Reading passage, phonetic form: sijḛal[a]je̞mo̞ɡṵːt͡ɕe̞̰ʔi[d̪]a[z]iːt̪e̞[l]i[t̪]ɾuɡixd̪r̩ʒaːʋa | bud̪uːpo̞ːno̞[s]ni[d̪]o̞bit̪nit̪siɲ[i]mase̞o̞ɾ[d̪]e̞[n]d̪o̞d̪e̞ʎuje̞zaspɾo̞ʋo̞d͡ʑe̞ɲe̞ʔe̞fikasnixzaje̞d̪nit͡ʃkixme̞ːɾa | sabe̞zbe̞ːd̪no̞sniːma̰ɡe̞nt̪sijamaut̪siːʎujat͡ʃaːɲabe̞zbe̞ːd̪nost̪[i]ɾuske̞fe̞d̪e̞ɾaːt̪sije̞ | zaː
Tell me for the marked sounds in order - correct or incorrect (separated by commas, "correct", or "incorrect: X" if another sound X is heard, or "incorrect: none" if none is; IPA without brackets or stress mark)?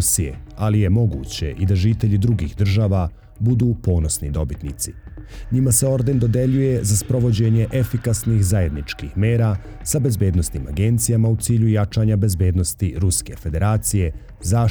incorrect: i, correct, incorrect: ʒ, incorrect: ʎ, incorrect: d̪, correct, correct, correct, correct, correct, correct